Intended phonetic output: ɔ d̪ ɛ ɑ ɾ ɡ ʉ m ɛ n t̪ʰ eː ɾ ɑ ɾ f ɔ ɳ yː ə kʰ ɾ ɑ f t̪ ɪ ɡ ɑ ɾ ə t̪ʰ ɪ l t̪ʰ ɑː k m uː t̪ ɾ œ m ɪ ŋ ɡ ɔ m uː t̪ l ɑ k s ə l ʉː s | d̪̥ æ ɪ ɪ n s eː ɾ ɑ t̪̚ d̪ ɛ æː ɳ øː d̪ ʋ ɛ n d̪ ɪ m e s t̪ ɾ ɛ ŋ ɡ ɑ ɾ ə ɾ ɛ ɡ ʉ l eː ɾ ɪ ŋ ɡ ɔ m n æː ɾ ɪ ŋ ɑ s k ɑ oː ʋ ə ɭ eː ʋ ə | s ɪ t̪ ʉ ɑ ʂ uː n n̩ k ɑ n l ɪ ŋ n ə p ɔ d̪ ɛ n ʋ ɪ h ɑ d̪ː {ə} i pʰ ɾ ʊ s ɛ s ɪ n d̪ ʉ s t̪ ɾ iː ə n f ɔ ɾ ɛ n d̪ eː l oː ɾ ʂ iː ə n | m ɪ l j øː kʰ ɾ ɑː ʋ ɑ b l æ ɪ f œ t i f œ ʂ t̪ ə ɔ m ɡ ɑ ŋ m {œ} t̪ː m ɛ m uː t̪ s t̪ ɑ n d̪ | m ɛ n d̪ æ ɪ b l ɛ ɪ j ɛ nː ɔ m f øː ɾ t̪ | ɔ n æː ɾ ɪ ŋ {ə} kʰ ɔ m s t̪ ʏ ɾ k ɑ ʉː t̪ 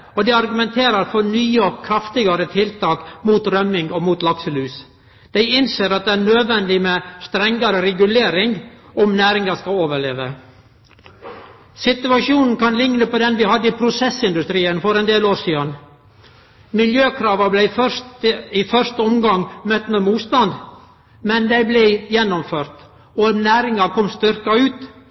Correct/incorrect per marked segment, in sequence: correct, correct, incorrect: ɑ

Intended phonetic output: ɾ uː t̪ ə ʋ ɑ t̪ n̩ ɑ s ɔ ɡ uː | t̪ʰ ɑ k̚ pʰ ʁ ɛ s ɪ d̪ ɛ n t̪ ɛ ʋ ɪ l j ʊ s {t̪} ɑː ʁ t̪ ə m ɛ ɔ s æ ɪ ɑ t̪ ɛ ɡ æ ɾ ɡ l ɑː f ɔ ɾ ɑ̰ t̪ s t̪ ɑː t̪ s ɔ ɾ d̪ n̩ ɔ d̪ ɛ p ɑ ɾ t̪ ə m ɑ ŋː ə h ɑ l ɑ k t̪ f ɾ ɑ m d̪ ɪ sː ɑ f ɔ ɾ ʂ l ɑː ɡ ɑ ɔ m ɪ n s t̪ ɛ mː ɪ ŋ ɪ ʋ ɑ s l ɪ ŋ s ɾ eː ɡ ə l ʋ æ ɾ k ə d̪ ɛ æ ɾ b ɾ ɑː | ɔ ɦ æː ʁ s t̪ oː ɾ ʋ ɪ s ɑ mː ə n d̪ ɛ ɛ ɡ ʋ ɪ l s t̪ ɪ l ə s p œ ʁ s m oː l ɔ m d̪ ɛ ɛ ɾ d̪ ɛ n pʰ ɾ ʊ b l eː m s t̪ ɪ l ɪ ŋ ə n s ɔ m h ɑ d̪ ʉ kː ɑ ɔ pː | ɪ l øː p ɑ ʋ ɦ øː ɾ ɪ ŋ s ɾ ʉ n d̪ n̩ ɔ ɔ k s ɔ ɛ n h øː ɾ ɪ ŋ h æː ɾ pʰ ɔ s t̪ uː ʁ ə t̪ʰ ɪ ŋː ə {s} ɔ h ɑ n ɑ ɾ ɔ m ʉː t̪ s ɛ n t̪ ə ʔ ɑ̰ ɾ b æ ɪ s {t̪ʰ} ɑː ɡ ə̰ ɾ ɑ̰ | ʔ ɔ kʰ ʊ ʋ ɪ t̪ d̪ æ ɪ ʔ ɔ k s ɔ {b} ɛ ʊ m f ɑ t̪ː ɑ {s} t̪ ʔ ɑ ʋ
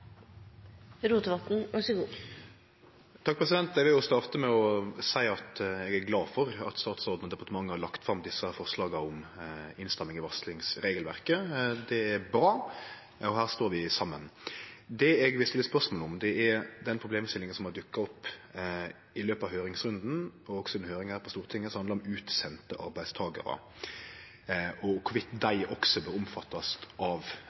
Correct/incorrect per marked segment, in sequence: correct, correct, correct, correct, correct

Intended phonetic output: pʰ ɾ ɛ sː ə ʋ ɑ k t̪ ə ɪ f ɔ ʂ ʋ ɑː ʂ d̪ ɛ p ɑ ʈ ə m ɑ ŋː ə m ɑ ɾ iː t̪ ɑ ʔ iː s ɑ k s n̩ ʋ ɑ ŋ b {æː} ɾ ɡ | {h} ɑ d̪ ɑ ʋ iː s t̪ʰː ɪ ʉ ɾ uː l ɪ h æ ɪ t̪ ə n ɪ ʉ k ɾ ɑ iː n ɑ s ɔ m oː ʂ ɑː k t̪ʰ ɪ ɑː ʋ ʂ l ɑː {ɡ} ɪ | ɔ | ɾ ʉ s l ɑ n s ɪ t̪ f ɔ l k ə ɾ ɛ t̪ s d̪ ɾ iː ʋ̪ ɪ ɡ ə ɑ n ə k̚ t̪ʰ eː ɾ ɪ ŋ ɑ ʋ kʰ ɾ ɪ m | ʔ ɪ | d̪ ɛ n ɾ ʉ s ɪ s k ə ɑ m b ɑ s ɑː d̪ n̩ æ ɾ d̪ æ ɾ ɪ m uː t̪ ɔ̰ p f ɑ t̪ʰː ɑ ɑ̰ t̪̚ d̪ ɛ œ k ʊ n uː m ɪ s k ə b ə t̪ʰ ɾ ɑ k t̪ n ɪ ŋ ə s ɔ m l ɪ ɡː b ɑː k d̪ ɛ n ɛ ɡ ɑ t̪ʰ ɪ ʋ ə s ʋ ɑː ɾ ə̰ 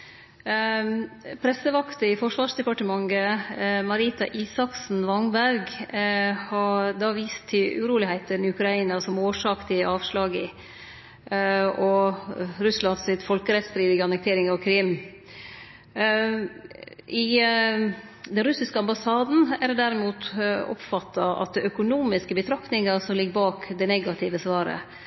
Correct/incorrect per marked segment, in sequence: incorrect: æ, correct, correct

